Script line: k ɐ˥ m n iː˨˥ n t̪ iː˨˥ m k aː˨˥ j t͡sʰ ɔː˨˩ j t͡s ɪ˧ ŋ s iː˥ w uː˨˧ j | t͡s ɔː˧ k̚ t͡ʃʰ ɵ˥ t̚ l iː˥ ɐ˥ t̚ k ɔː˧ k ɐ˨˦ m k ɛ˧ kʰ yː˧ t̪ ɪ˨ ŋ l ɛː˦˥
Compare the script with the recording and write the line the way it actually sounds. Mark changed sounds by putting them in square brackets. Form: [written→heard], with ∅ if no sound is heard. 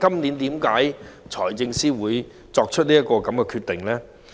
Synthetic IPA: k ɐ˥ m n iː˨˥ n t̪ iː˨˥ m k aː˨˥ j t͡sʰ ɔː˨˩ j t͡s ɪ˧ ŋ s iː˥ w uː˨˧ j | t͡s ɔː˧ k̚ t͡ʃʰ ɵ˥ t̚ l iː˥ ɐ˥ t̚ k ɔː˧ k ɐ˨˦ m k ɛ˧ kʰ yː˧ t̪ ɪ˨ ŋ l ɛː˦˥

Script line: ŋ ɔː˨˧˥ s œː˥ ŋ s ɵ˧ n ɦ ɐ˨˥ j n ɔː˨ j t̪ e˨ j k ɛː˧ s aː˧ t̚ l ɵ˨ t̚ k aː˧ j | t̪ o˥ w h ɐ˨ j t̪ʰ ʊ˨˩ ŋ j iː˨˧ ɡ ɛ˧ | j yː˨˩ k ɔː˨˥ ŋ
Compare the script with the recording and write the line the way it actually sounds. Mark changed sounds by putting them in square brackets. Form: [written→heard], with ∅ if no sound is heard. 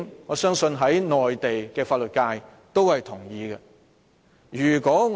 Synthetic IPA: ŋ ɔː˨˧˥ s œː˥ ŋ s ɵ˧ n ɦ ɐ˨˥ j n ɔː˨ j t̪ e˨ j k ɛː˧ [s→f] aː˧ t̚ l ɵ˨ t̚ k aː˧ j | t̪ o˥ w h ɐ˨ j t̪ʰ ʊ˨˩ ŋ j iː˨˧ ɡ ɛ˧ | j yː˨˩ k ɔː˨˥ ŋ

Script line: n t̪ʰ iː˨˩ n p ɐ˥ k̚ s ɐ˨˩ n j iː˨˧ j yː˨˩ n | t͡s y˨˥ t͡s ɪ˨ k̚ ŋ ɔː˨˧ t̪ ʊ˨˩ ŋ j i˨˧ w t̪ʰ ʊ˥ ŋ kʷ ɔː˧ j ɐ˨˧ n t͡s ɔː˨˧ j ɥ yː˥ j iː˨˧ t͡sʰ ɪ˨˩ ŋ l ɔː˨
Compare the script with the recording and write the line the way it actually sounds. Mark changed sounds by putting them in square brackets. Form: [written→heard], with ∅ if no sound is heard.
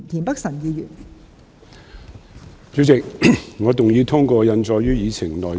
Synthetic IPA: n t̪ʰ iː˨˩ n p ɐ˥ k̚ s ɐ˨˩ n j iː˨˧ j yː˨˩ n | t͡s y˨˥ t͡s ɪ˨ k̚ ŋ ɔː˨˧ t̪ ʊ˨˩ ŋ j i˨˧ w t̪ʰ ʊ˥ ŋ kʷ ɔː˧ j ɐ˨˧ n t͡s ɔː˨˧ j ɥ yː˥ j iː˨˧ t͡sʰ ɪ˨˩ ŋ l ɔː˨

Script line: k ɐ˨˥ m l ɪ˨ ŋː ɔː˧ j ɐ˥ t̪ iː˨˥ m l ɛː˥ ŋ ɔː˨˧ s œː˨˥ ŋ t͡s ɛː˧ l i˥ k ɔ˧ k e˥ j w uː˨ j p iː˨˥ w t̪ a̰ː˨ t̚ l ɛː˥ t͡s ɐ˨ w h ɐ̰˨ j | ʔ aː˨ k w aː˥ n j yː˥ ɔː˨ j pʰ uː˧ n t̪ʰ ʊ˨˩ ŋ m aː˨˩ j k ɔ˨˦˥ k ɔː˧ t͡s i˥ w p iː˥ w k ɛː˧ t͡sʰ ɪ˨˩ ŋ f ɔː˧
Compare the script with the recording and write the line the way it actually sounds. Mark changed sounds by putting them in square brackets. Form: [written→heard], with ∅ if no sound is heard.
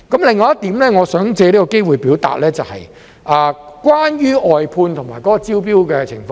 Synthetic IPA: k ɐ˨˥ m l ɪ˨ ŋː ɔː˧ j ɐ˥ t̪ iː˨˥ m l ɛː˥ ŋ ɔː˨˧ s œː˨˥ ŋ t͡s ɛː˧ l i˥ k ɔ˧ k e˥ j w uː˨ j p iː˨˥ w t̪ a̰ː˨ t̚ l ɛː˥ t͡s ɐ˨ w h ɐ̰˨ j | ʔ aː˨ k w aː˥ n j yː˥ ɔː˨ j pʰ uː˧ n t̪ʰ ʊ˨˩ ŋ m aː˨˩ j k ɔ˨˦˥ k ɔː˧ t͡s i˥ w p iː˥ w k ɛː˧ t͡sʰ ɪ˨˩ ŋ f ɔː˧

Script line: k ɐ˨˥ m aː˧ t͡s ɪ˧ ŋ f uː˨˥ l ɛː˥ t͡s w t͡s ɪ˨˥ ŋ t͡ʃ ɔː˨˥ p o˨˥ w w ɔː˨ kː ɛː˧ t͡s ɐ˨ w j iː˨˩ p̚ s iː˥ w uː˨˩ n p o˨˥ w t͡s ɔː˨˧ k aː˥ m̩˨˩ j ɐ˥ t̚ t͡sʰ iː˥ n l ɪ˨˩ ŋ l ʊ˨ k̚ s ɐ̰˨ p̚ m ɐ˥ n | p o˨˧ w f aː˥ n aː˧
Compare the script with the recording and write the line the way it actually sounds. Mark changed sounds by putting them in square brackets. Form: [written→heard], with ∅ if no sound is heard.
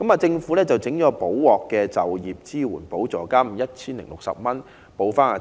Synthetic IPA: k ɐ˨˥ m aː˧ t͡s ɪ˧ ŋ f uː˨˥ l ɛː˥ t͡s w t͡s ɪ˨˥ ŋ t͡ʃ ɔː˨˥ p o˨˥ w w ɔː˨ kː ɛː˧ t͡s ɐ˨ w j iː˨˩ p̚ [s→t͡s] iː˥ w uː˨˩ n p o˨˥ w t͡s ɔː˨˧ k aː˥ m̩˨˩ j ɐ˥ t̚ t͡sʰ iː˥ n l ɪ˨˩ ŋ l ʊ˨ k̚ s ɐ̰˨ p̚ m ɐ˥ n | p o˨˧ w f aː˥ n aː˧

